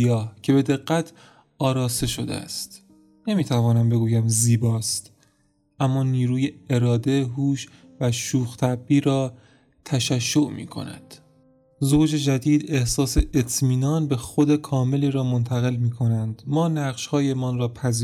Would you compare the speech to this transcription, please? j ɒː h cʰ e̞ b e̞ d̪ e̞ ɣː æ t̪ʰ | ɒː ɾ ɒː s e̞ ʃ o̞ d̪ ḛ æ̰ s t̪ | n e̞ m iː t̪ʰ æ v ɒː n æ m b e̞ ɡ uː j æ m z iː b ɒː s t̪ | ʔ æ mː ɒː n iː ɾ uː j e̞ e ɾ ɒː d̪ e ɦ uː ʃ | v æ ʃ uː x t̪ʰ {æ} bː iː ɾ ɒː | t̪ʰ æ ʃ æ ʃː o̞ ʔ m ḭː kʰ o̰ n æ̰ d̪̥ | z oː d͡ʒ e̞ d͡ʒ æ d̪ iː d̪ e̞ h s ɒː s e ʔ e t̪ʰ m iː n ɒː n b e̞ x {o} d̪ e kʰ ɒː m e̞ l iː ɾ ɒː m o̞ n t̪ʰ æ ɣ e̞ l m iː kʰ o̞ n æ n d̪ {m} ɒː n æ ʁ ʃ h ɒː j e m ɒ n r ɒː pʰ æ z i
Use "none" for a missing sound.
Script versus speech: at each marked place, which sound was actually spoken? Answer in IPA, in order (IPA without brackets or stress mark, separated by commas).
æ, o, m